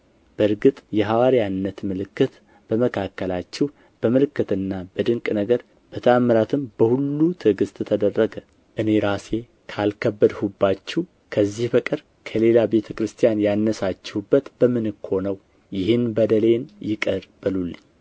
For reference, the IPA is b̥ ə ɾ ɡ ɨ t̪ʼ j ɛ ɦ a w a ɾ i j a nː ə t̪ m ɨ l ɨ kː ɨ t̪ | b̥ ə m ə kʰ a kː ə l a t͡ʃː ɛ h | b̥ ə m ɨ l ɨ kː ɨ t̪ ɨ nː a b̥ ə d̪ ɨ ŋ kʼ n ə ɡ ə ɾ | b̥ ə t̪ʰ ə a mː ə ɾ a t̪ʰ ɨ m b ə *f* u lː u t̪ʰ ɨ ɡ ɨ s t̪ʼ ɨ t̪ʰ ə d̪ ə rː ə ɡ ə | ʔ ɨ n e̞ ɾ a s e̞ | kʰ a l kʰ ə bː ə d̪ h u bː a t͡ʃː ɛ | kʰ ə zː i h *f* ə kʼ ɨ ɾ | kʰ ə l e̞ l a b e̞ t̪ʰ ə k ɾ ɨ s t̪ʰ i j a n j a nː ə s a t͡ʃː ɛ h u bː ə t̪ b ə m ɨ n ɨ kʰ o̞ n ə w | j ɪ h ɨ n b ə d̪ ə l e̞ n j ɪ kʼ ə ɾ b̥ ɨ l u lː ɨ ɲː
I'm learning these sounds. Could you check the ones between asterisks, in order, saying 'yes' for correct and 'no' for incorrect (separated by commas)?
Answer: no, yes